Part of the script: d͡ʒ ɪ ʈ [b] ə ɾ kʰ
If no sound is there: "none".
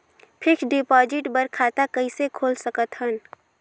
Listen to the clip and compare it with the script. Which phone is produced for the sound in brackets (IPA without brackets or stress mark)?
b